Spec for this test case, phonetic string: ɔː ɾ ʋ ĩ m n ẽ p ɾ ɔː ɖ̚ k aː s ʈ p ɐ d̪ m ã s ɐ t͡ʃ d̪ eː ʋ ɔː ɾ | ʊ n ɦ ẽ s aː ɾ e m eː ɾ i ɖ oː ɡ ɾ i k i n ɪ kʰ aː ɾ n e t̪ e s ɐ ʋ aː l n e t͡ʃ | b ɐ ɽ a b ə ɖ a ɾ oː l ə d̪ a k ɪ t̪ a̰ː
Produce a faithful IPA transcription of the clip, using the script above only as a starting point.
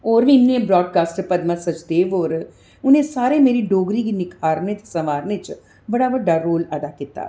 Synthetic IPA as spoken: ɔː ɾ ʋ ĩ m n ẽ b ɾ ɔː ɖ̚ k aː s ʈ p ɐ d̪ m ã s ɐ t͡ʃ d̪ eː ʋ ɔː ɾ | ʊ n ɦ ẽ s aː ɾ e m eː ɾ i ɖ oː ɡ ɾ i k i n ɪ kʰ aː ɾ n e t̪ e s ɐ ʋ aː ɾ n e t͡ʃ | b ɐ ɽ a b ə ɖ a ɾ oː l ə d̪ a k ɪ t̪ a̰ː